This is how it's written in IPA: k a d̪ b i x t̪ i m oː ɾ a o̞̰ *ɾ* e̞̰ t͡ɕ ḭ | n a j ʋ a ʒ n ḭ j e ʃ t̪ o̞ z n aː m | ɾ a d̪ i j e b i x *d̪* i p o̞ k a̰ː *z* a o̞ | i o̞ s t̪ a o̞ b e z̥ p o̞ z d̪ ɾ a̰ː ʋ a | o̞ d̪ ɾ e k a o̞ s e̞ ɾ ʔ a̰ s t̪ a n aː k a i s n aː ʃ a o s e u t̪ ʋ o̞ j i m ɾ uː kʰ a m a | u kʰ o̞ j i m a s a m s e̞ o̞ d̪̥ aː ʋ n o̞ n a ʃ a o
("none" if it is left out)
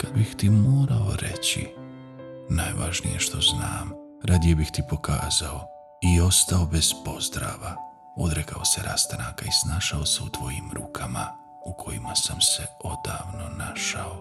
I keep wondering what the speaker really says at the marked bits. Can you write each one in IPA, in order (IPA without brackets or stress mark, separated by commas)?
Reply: ɾ, t̪, z